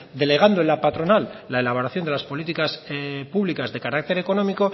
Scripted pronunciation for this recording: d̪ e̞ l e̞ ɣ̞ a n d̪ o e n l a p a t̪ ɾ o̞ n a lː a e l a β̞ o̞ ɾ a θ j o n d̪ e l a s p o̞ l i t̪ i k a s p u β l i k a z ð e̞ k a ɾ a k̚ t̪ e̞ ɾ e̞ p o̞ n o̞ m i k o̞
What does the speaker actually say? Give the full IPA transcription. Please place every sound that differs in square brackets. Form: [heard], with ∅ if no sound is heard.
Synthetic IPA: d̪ e̞ l e̞ ɣ̞ a n d̪ o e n l a p a t̪ ɾ o̞ n a lː a e l a β̞ o̞ ɾ a θ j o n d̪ e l a s p o̞ l i t̪ i k a s p u β l i k a z ð e̞ k a ɾ a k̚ t̪ e̞ ɾ e̞ [k] o̞ n o̞ m i k o̞

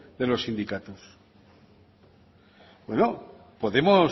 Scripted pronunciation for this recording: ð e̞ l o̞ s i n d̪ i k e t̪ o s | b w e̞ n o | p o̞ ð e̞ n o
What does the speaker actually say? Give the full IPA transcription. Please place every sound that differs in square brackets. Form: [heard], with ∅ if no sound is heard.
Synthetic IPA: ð e̞ l o̞ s i n d̪ i k [a] t̪ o s | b w e̞ n o | p o̞ ð e̞ [m] o

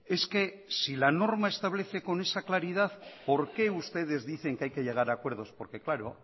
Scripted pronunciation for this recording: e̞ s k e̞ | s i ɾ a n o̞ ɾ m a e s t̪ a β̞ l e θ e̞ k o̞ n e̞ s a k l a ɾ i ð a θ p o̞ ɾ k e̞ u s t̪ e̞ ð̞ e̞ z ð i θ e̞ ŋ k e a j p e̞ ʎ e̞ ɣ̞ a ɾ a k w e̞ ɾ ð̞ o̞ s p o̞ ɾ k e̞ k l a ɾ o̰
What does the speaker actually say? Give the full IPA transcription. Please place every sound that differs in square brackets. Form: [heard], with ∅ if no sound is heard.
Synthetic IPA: e̞ s k e̞ | s i [l] a n o̞ ɾ m a e s t̪ a β̞ l e θ e̞ k o̞ n e̞ s a k l a ɾ i ð a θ p o̞ ɾ k e̞ u s t̪ e̞ ð̞ e̞ z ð i θ e̞ ŋ k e a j [k] e̞ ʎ e̞ ɣ̞ a ɾ a k w e̞ ɾ ð̞ o̞ s p o̞ ɾ k e̞ k l a ɾ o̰

